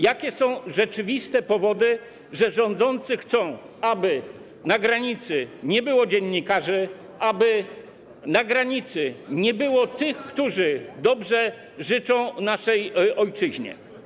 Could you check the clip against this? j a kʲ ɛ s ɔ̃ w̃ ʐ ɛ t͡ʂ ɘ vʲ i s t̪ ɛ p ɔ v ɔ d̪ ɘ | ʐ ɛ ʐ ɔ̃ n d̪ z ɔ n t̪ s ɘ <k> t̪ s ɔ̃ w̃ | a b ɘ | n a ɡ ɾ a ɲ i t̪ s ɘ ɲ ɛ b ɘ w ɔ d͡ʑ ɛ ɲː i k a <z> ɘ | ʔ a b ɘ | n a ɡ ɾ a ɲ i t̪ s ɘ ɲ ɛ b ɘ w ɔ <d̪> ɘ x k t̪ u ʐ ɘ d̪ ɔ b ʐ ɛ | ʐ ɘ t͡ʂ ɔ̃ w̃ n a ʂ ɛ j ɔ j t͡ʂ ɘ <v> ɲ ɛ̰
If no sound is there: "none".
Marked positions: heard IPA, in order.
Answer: x, ʐ, t̪, ʑ

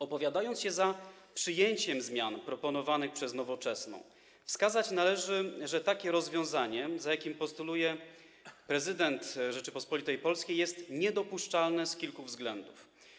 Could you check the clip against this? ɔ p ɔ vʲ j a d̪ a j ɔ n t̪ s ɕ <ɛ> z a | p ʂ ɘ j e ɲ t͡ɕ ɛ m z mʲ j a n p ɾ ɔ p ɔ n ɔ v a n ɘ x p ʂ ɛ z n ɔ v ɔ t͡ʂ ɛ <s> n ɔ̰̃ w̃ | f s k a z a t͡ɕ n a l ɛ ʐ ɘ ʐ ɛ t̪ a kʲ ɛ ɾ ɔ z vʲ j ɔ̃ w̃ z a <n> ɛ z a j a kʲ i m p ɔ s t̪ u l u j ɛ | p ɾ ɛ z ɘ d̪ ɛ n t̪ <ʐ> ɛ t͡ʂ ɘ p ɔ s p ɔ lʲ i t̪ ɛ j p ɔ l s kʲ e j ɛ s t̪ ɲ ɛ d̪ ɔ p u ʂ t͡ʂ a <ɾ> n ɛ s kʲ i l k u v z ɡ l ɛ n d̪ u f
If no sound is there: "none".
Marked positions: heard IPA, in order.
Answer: ɛ, s, ɲ, ʐ, l

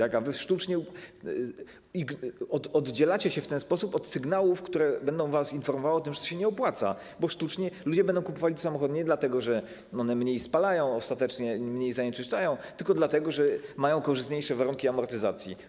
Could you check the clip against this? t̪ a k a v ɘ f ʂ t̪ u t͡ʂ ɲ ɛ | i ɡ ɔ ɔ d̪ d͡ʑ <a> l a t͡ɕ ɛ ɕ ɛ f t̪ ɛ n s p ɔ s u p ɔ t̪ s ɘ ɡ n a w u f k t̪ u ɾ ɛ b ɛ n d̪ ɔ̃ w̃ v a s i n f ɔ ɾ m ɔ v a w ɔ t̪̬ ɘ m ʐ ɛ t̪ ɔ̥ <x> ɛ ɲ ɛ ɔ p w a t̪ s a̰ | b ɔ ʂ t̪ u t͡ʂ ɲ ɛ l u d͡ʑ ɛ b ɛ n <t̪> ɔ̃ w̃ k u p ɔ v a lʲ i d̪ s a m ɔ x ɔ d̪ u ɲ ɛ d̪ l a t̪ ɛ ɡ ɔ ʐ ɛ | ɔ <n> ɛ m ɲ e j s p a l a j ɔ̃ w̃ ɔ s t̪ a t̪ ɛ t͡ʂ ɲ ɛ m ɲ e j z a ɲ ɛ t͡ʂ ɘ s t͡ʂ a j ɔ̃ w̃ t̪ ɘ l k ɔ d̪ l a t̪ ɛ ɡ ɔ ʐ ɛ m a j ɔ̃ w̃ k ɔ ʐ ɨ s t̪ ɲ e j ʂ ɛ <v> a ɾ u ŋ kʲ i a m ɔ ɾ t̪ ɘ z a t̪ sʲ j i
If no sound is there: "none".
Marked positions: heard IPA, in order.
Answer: ɛ, ɕ, d̪, n, v

